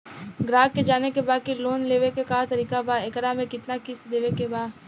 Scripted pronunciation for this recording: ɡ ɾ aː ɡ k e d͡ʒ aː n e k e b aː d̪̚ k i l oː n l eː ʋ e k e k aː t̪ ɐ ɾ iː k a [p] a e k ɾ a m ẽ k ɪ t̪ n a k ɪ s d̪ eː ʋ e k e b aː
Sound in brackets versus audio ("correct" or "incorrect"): incorrect